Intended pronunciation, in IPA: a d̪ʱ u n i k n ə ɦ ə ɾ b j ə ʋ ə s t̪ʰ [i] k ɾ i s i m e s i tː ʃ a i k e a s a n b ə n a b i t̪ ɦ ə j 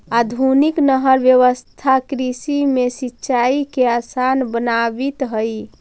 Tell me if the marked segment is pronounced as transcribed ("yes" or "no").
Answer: no